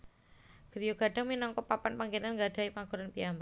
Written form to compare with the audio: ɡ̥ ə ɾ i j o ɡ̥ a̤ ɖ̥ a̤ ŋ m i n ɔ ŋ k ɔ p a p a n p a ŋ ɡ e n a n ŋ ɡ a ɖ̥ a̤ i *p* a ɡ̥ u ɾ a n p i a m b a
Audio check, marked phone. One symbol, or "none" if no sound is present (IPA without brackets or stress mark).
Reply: p